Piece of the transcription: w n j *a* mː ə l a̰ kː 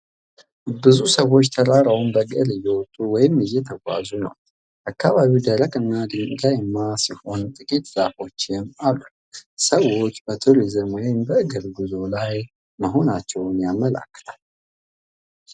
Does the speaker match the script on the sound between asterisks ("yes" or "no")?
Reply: yes